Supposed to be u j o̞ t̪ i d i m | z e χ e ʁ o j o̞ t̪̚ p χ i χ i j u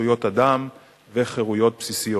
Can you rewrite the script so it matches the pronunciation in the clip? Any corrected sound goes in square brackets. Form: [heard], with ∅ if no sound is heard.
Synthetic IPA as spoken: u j o̞ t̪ [a] d [a] m | [v] e χ e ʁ [u] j o̞ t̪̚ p [s] i [s] i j [o]